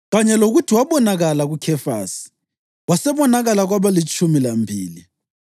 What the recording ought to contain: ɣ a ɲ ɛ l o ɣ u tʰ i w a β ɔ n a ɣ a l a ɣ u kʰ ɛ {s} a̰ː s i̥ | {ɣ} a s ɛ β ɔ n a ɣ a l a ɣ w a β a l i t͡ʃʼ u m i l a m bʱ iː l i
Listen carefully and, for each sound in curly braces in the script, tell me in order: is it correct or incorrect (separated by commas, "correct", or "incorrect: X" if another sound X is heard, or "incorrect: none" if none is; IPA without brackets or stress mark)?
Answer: incorrect: f, incorrect: w